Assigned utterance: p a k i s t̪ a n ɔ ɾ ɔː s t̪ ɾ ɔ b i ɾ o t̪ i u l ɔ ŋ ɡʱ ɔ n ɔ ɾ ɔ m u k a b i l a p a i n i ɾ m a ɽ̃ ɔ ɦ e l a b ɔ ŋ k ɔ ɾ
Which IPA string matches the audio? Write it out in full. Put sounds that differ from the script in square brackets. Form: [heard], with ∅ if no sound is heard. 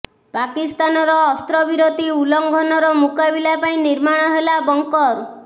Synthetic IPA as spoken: p a k i s t̪ a n ɔ ɾ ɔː s t̪ ɾ ɔ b i ɾ o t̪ i u l ɔ ŋ ɡʱ ɔ n ɔ ɾ ɔ m u k a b i l a p a [ĩ] n i ɾ m a ɽ̃ ɔ ɦ e l a b ɔ ŋ k ɔ ɾ